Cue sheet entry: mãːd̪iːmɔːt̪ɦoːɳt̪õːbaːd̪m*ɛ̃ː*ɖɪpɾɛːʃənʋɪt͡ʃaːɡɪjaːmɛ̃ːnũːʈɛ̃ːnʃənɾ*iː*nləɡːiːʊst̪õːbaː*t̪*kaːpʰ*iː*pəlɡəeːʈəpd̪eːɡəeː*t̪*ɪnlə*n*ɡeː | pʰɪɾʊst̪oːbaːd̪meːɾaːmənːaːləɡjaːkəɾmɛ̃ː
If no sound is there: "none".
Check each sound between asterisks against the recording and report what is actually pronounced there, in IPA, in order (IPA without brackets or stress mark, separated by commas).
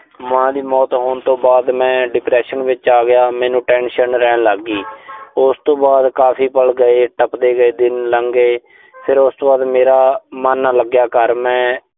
ɛ̃ː, ɛː, d̪, iː, d̪, ŋ